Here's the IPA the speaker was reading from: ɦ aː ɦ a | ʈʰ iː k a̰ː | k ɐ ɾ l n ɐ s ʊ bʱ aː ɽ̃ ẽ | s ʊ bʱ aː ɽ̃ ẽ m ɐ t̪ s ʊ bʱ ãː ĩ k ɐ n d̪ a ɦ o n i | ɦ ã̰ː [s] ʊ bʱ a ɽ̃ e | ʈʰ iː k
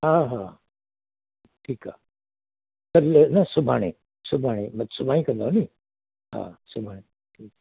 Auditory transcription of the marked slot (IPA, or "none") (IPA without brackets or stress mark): s